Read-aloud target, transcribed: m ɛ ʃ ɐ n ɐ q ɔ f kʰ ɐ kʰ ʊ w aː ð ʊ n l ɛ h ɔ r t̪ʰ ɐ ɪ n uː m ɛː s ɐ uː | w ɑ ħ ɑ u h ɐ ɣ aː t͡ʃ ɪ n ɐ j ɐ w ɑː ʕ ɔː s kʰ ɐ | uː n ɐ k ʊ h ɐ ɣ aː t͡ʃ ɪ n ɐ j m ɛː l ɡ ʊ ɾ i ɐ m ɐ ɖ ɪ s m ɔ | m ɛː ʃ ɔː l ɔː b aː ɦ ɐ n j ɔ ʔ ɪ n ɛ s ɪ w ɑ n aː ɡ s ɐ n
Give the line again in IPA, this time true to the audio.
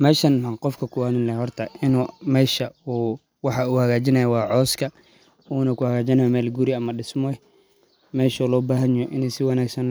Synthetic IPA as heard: m ɛː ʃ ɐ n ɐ q ɔ f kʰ ɐ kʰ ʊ w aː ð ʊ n l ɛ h ɔ r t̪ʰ ɐ ɪ n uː m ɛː ʃ ɐ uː | w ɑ ħ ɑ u h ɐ ɣ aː t͡ʃ ɪ n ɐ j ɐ w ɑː ʕ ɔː s kʰ ɐ | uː n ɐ k ʊ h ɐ ɣ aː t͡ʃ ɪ n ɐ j m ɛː l ɡ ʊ ɾ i ɐ m ɐ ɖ ɪ s m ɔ | m ɛː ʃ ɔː l ɔː b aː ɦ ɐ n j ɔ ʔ ɪ n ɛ s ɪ w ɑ n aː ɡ s ɐ n

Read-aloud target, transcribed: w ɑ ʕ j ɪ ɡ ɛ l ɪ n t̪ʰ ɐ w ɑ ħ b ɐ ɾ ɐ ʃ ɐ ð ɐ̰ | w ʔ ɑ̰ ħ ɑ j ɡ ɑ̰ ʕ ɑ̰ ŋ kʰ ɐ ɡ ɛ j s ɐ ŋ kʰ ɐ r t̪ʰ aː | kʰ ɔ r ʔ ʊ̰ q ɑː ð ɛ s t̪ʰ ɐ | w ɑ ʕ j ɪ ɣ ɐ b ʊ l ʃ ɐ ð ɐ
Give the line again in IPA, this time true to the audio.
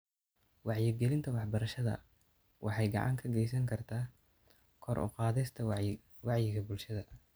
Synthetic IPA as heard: w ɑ ʕ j ɪ ɡ ɛ l ɪ n t̪ʰ ɐ w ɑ ħ b ɐ ɾ ɐ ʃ ɐ ð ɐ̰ | w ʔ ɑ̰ ħ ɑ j ɡ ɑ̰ ʕ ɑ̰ ŋ kʰ ɐ ɡ ɛ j s ɐ ŋ kʰ ɐ r t̪ʰ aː | kʰ ɔ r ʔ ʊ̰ q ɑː ð ɛ s t̪ʰ ɐ | w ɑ ʕ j ɪ ɣ ɐ b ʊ l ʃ ɐ ð ɐ

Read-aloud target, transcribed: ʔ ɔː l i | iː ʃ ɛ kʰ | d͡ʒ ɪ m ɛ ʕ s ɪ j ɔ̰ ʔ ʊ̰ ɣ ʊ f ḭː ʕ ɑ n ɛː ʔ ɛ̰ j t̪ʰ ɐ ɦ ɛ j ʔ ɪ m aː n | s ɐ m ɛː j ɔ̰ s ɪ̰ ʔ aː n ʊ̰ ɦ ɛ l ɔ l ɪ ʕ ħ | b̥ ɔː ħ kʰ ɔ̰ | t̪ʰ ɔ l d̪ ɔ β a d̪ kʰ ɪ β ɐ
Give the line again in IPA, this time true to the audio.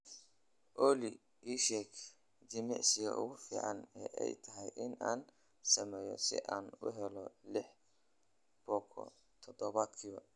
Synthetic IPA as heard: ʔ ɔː l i | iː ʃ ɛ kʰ | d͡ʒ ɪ m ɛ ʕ s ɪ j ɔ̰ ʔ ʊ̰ ɣ ʊ f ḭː ʕ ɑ n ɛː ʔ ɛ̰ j t̪ʰ ɐ ɦ ɛ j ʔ ɪ n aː n | s ɐ m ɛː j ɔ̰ s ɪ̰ ʔ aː n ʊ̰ ɦ ɛ l ɔ l ɪ ħ | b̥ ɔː kʰ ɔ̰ | t̪ʰ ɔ d̪ ɔ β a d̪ kʰ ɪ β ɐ

